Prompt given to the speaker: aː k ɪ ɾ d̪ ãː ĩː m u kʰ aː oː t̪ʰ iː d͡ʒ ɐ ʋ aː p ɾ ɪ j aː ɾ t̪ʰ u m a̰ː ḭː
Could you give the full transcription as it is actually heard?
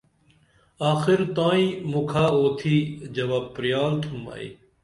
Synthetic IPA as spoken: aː x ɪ ɾ t̪ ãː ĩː m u kʰ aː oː t̪ʰ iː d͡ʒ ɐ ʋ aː p ɾ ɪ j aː l t̪ʰ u m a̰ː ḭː